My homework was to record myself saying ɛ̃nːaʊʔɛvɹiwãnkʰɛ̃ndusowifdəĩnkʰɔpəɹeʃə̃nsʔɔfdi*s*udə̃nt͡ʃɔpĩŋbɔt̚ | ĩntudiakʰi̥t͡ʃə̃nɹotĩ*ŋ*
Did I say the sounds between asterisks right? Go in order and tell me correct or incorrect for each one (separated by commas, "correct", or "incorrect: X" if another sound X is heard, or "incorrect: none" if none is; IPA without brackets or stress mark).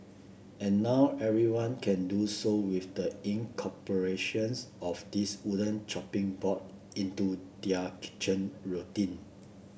correct, incorrect: n